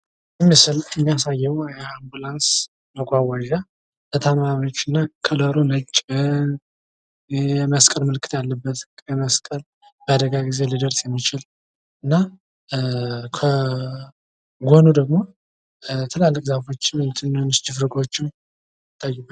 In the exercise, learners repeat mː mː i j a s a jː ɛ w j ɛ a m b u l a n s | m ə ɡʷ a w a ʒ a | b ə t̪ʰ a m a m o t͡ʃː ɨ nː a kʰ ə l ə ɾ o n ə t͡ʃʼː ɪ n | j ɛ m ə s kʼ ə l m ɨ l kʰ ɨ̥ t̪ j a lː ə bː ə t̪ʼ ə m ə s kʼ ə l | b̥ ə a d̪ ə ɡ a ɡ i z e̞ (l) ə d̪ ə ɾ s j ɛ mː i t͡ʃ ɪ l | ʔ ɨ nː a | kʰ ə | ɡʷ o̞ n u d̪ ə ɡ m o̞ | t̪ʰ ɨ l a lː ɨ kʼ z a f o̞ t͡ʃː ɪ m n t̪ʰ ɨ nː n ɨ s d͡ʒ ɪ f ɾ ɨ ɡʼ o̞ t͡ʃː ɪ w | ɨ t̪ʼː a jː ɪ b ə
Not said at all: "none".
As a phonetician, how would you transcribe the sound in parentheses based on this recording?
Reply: l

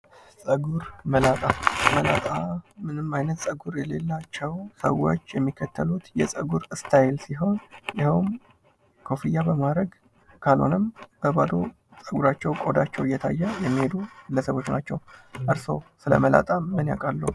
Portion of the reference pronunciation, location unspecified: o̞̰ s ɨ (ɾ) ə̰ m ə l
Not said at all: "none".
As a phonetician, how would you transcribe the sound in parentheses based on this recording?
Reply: l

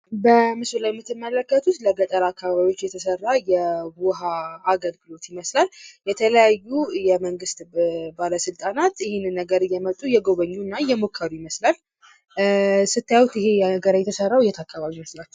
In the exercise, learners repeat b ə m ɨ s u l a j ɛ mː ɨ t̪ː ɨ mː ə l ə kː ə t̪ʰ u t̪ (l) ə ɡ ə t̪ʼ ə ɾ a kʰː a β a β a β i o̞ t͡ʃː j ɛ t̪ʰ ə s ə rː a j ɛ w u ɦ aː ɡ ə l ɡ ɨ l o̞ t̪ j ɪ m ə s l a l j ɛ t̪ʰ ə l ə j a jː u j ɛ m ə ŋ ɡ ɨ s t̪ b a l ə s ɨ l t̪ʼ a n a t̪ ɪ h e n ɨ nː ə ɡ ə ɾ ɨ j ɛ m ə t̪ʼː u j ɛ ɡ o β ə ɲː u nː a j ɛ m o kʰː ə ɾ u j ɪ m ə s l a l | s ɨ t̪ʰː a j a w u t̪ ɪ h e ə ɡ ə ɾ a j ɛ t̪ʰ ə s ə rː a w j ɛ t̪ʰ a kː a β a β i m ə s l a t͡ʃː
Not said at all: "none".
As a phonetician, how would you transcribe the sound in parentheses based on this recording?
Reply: l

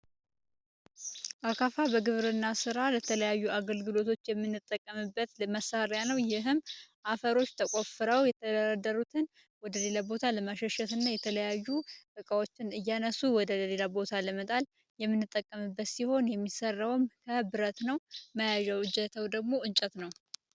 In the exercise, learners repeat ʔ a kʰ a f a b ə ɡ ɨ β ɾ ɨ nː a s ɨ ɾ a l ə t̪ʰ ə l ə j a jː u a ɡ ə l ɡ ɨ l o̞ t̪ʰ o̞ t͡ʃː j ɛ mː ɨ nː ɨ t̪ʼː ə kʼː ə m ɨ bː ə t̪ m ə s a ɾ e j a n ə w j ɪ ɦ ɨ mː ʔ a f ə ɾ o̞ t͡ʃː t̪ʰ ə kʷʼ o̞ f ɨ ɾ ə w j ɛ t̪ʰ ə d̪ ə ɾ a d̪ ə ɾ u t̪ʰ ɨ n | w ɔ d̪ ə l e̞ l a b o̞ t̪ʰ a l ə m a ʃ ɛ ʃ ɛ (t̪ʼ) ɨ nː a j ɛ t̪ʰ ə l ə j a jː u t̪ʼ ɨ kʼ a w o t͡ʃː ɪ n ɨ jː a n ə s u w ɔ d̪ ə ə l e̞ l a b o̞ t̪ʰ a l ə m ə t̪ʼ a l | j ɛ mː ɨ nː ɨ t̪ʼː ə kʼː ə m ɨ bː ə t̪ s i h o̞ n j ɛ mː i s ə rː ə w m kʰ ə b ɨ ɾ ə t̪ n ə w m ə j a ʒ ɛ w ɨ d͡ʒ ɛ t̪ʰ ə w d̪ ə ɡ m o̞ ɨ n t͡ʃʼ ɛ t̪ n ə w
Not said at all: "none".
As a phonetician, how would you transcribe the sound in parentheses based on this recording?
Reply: t̪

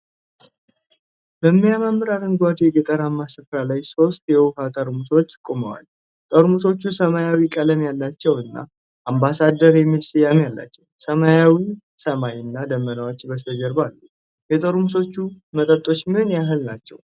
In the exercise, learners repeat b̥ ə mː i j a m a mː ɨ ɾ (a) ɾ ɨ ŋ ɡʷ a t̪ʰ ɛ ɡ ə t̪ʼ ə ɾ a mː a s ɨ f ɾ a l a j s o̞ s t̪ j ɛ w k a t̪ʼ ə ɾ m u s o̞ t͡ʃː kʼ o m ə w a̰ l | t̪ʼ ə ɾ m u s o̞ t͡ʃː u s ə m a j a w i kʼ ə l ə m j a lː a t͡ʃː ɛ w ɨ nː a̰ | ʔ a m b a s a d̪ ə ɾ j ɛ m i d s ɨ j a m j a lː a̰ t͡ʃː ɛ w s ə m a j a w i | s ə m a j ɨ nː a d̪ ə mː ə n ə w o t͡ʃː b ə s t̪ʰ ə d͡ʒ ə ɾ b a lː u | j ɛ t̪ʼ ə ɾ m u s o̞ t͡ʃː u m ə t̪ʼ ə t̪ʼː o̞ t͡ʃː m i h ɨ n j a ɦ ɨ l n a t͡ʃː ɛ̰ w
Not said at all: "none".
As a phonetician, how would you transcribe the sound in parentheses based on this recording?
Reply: a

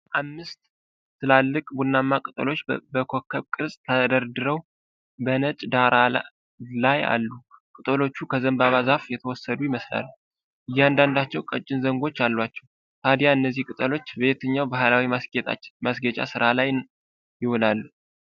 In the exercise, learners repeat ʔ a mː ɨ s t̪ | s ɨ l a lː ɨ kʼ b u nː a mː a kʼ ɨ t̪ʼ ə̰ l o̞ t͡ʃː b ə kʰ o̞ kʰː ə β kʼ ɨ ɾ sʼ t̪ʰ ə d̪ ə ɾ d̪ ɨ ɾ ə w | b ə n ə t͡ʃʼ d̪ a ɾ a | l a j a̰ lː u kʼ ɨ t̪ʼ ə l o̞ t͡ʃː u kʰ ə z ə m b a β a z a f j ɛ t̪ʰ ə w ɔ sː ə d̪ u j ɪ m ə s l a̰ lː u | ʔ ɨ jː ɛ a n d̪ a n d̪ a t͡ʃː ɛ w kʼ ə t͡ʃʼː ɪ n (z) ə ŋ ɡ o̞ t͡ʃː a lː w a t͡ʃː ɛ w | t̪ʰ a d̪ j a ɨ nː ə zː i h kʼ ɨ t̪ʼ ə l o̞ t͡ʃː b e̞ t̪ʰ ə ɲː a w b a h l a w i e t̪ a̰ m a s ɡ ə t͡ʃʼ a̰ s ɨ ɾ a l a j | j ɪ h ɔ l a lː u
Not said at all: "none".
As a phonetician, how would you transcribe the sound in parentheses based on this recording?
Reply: z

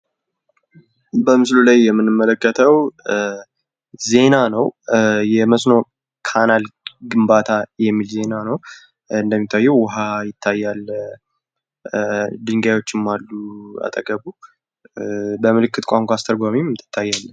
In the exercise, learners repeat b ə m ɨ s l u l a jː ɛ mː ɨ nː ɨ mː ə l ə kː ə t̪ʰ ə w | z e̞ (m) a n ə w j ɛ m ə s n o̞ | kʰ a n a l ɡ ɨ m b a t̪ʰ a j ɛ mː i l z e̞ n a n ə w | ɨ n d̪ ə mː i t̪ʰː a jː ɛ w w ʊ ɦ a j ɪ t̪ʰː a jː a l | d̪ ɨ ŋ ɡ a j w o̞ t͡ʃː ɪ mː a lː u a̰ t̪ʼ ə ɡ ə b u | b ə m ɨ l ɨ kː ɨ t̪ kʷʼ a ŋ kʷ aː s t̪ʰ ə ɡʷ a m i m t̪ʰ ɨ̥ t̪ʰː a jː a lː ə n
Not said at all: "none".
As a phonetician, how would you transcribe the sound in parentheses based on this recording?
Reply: n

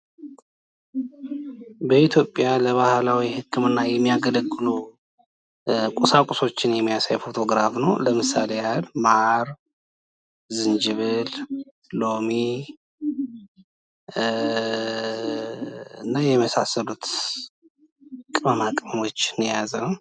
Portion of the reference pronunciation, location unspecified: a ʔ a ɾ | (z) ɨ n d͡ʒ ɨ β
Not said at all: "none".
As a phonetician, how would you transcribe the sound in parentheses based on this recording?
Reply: z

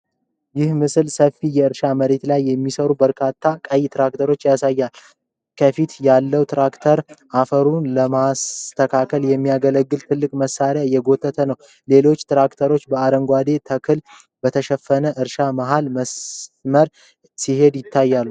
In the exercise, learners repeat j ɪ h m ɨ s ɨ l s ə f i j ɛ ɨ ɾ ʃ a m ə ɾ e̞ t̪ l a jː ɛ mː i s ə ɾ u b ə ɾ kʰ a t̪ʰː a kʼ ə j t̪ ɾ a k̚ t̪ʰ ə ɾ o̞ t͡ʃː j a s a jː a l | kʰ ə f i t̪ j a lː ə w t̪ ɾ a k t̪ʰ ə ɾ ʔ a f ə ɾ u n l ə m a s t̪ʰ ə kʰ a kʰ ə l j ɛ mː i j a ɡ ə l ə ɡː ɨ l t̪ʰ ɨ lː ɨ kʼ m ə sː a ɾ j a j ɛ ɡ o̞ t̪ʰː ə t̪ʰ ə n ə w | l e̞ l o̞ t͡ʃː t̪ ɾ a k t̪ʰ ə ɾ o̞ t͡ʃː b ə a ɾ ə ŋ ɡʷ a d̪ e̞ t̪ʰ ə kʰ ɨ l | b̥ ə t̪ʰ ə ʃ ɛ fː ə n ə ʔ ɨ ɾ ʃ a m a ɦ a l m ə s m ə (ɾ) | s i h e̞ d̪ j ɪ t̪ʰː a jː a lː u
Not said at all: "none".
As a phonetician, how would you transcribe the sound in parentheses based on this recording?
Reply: ɾ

